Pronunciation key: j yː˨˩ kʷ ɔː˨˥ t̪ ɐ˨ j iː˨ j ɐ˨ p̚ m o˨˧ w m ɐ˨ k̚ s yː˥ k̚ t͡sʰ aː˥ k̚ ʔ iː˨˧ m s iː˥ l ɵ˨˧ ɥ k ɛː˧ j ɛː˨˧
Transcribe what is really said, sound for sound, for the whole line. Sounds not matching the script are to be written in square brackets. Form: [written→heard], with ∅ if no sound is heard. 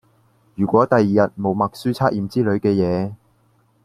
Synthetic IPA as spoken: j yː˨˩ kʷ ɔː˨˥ t̪ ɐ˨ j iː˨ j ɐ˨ [p̚→t̚] m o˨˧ w m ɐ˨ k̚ s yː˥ [k̚→∅] t͡sʰ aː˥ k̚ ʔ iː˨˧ m [s→t͡s] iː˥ l ɵ˨˧ ɥ k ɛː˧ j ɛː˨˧